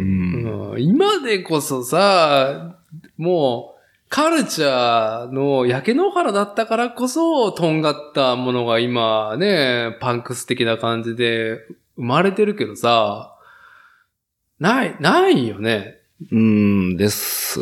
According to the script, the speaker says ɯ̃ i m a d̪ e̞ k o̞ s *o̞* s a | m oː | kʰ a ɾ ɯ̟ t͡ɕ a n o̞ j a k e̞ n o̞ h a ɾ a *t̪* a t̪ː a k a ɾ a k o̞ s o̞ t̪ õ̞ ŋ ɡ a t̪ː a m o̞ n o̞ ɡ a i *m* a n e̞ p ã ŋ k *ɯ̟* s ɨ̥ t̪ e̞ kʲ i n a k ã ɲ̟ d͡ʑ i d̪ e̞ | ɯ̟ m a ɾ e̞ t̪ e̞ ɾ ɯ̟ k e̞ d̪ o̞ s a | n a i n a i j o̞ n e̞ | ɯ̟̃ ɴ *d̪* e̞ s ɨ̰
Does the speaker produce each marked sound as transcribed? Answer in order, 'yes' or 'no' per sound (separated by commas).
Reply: yes, no, yes, yes, yes